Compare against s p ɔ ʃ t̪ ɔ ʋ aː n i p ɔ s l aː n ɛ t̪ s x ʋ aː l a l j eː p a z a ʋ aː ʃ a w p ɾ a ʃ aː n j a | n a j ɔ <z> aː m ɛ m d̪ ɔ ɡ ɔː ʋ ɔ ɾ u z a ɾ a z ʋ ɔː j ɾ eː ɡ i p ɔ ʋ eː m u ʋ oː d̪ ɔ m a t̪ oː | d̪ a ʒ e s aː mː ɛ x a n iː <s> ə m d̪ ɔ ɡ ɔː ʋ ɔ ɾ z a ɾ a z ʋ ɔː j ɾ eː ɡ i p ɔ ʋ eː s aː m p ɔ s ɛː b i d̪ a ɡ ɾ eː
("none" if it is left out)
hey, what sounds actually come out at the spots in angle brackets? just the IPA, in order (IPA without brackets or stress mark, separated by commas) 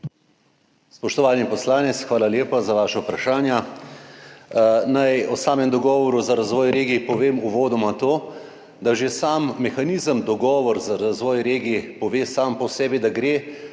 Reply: s, z